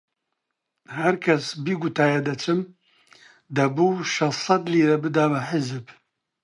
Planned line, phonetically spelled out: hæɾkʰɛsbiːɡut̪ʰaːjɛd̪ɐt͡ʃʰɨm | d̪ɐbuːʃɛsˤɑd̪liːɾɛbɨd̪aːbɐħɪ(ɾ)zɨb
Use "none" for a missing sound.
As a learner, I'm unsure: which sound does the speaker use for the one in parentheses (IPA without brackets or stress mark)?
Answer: none